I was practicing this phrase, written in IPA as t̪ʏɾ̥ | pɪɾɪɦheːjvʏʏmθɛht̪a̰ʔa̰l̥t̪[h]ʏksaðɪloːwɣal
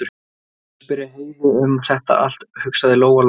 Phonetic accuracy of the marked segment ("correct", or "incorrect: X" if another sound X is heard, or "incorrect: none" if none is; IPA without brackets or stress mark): correct